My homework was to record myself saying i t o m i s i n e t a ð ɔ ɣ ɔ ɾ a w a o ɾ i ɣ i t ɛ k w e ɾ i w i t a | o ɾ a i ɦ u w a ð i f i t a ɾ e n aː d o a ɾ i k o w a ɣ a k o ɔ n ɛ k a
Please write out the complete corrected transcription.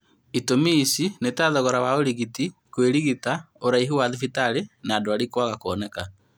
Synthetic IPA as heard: i t o m i s i n e t a ð ɔ ɣ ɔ ɾ a w a o ɾ i ɣ i t i k w e ɾ i ɣ i t a | o ɾ a i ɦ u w a ð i f i t a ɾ e n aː d o a ɾ i k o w a ɣ a k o ɔ n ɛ k a